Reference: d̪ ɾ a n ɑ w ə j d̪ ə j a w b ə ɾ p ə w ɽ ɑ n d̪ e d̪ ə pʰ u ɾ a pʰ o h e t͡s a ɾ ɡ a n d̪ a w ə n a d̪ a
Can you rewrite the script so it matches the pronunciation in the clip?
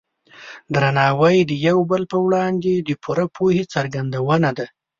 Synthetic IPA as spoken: d̪ ɾ a n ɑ w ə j d̪ ə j a w b ə l p ə w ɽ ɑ n d̪ e d̪ ə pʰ u ɾ a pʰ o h e t͡s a ɾ ɡ a n d̪ a w ə n a d̪ a